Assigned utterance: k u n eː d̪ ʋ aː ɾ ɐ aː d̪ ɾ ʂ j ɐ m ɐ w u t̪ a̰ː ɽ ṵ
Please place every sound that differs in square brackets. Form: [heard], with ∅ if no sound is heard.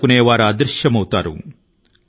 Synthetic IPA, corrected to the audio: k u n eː [∅] ʋ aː ɾ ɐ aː d̪ ɾ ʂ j ɐ m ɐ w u t̪ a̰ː [ɾ] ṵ